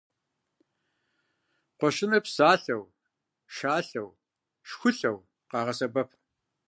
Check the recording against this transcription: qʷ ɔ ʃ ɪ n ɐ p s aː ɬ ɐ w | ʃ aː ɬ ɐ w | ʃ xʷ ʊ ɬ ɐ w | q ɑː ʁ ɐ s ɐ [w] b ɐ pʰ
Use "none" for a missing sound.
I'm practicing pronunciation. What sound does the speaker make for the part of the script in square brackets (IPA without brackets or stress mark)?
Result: none